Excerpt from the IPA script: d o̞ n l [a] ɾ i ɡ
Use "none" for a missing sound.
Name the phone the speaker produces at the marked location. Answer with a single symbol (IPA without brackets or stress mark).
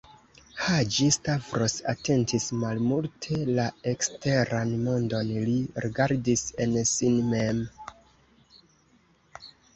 i